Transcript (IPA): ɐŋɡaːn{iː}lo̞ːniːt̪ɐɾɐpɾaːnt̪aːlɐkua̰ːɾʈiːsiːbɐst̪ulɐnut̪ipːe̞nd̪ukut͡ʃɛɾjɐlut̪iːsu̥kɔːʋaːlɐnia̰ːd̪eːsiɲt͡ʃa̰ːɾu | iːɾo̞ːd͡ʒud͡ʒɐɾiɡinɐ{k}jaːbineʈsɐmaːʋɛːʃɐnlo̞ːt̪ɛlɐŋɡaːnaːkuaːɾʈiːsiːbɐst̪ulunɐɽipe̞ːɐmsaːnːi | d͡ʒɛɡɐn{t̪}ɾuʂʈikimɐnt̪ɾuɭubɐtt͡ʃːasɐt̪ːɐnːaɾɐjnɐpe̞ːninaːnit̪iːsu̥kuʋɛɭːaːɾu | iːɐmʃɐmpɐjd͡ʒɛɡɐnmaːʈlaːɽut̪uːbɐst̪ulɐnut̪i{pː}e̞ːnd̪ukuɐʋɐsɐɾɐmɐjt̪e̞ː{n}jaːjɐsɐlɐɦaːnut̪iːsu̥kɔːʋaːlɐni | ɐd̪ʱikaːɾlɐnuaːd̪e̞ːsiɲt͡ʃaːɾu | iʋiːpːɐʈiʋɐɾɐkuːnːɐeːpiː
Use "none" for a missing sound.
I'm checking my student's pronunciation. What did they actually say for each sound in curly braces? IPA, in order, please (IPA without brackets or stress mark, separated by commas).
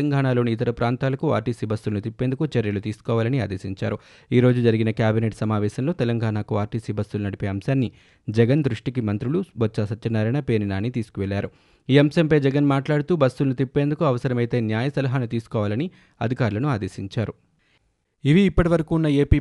aː, k, d̪, pː, n